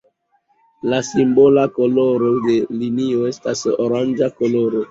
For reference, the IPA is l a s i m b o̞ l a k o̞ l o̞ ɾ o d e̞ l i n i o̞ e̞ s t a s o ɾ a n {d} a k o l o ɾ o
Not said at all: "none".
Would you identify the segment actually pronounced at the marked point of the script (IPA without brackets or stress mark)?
d͡ʒ